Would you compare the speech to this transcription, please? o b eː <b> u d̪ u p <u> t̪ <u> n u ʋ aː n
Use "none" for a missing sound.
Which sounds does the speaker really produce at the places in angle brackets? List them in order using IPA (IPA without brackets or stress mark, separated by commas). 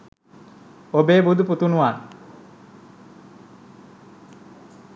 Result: b, u, u